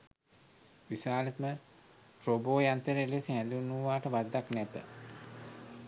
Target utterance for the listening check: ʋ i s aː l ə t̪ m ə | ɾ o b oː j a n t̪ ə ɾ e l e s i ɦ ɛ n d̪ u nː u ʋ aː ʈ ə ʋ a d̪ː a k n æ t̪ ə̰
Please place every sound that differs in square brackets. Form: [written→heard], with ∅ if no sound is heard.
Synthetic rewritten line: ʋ i s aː l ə t̪ m ə | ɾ o b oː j a n t̪ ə ɾ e l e s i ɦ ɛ n d̪ u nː u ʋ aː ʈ ə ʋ a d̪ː a k n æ t̪ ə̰

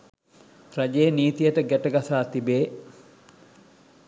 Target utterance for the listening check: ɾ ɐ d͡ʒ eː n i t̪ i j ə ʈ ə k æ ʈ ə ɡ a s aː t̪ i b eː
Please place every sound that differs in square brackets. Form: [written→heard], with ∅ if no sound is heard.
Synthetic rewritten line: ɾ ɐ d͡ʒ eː n [i→iː] t̪ i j ə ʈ ə [k→ɡ] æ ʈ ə ɡ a s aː t̪ i b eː

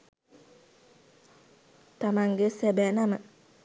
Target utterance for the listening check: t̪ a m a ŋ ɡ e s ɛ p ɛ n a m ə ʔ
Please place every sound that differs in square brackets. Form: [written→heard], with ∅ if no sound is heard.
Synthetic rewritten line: t̪ a m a ŋ ɡ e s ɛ [p→b] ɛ n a m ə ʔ

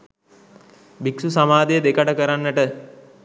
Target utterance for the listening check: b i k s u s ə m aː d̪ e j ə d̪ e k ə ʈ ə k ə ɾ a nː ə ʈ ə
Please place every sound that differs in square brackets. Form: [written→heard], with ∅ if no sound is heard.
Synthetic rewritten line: b i k s u s [ə→a] m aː d̪ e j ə d̪ e k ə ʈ ə k ə ɾ a nː ə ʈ ə

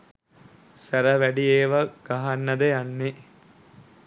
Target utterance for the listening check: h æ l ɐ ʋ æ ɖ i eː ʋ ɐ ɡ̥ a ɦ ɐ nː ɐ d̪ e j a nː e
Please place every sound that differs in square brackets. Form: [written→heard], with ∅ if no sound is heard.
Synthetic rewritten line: [h→s] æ [l→ɾ] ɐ ʋ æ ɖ i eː ʋ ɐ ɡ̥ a ɦ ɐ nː ɐ d̪ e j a nː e

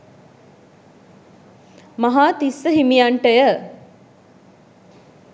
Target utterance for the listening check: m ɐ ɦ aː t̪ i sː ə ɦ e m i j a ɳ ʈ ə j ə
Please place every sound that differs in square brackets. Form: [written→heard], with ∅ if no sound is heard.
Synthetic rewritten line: m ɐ ɦ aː t̪ i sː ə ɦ [e→i] m i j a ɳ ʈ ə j ə

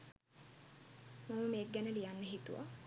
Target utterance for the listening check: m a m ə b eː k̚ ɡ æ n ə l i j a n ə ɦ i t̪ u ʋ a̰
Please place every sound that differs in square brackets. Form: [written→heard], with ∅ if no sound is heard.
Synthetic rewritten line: m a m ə [b→m] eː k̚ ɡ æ n ə l i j a [n→nː] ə ɦ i t̪ u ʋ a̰

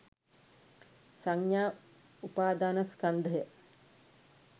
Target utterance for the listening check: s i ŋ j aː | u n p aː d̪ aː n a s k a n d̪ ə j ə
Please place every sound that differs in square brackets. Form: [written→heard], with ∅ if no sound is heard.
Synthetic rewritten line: s [i→a] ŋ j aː | u [n→∅] p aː d̪ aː n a s k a n d̪ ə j ə

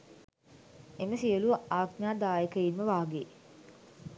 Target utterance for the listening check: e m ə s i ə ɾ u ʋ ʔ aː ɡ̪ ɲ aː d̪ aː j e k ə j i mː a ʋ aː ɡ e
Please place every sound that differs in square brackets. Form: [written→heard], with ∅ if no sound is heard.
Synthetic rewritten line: e m ə s i ə [ɾ→l] u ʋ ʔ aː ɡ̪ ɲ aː d̪ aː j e k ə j i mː [a→ə] ʋ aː ɡ e

